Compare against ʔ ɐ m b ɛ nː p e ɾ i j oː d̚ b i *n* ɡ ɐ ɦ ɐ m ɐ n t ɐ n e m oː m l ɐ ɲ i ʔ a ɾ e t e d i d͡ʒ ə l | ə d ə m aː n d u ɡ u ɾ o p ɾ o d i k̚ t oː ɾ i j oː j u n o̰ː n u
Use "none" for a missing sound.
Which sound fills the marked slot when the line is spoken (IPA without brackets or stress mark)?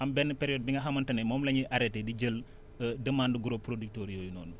ŋ